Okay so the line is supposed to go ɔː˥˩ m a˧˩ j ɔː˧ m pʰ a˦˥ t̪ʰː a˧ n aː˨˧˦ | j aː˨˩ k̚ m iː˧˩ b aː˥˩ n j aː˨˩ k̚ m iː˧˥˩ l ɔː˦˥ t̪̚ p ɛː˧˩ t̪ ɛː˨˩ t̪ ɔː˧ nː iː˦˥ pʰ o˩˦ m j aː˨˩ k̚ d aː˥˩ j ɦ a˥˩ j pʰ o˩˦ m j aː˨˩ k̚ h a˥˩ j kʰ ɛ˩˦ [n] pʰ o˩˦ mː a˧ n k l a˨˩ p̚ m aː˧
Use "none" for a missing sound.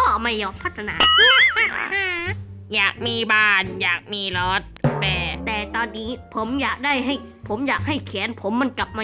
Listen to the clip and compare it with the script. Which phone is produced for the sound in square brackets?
n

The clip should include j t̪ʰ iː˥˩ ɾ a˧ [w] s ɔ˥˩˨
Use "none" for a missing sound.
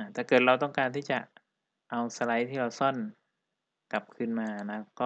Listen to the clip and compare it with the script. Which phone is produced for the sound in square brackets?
w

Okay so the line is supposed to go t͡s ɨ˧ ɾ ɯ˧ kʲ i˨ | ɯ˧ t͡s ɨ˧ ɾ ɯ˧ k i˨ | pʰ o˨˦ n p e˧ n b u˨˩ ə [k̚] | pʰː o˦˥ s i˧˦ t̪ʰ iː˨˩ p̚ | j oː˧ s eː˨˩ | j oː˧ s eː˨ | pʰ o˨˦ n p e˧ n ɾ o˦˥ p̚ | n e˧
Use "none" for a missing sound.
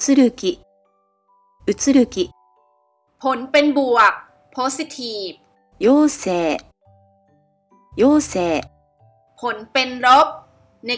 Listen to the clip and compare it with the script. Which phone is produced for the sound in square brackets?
k̚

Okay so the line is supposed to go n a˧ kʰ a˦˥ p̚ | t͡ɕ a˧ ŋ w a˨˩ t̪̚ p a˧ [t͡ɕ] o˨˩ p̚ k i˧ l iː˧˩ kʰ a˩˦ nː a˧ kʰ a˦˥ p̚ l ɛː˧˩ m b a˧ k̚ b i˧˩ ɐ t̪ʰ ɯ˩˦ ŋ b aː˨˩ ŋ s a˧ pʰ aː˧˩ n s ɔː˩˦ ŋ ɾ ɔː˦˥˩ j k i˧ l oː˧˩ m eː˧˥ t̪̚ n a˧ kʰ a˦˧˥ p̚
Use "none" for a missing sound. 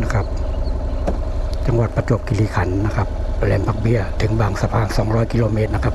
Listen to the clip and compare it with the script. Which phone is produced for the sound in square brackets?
t͡ɕ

